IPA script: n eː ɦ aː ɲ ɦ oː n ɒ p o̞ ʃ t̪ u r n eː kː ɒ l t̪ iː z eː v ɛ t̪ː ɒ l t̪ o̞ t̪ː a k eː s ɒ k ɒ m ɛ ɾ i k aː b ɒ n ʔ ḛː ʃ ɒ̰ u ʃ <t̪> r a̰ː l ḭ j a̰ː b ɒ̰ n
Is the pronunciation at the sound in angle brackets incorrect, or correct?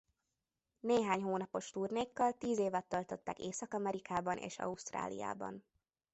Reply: correct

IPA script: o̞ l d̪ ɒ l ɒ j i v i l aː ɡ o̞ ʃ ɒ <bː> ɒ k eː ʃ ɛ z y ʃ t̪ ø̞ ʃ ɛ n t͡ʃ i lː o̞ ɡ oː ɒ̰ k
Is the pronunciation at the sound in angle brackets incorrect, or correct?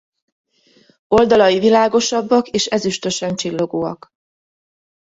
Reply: correct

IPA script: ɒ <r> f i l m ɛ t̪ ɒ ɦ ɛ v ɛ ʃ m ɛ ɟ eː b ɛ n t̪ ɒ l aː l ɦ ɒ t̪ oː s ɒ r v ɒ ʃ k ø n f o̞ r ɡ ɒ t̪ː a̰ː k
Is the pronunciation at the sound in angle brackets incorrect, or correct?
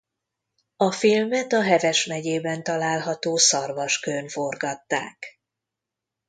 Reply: incorrect: none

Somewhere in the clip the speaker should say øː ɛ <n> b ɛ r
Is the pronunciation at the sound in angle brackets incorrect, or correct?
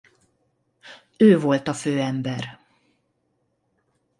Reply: incorrect: m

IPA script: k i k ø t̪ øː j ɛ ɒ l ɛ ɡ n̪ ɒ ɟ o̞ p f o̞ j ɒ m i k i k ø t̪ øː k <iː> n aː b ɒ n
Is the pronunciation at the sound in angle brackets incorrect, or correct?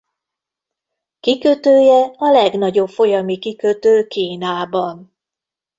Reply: correct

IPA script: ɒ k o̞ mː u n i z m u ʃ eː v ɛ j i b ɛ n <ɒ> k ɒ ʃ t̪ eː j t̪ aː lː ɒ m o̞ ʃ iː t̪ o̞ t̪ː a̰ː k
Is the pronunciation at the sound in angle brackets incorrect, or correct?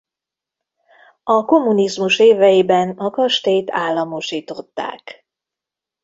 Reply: correct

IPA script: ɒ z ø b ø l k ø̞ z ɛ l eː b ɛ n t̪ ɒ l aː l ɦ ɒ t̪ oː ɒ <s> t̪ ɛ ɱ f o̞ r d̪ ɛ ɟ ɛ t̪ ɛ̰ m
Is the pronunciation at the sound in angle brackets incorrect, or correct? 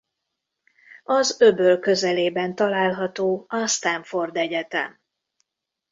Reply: correct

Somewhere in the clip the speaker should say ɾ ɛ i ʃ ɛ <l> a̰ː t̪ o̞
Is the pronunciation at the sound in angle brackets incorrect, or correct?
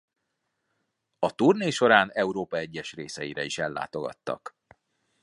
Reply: incorrect: lː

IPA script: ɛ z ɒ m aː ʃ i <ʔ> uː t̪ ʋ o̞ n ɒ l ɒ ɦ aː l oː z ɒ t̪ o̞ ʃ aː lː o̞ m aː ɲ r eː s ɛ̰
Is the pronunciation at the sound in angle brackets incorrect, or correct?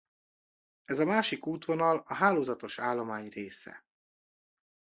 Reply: incorrect: k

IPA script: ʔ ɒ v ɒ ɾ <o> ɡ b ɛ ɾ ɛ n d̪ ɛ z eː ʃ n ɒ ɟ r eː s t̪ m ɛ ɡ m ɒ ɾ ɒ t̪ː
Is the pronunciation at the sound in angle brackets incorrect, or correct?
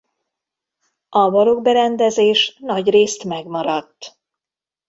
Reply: correct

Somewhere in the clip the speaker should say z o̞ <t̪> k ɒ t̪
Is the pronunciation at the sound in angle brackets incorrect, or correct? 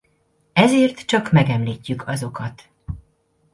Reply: incorrect: none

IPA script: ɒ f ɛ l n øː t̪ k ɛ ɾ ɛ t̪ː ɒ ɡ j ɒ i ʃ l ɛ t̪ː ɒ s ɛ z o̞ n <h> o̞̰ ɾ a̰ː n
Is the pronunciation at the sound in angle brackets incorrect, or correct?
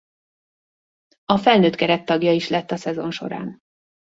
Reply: incorrect: ʃ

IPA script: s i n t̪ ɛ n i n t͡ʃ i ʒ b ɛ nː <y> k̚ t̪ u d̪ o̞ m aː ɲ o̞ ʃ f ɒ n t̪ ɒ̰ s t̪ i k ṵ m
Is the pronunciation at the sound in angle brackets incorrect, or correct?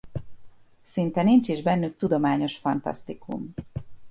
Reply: correct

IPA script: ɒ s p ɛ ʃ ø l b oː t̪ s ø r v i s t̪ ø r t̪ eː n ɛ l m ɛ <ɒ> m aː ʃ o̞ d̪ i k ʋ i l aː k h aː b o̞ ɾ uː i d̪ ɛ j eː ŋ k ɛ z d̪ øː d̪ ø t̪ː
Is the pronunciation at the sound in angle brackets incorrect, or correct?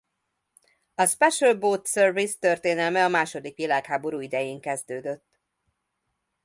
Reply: correct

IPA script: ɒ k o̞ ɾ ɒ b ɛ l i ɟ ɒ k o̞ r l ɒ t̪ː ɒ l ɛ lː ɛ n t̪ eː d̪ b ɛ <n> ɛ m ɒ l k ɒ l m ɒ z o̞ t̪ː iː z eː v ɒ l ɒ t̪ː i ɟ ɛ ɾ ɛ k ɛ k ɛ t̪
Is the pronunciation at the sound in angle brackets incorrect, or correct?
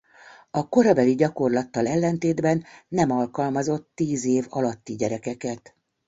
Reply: incorrect: nː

